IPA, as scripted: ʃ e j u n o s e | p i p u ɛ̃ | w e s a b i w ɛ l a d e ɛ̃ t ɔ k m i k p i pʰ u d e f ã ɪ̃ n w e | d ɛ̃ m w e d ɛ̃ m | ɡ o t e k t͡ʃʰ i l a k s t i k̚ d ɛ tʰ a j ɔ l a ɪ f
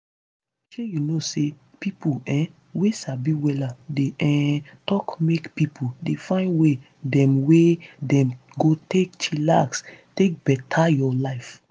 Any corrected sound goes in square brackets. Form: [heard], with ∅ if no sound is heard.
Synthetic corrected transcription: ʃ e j u n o s e | p i p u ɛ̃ | w e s a b i w ɛ l a d e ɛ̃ t ɔ k m [e] k p i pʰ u d e f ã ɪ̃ n w e | d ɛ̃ m w e d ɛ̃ m | ɡ o t e k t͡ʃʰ i l a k s t [e] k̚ [b] ɛ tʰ a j ɔ l a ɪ f